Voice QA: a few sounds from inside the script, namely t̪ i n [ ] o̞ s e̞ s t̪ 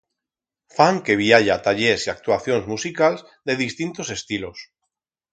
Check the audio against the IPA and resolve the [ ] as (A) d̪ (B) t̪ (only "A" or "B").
B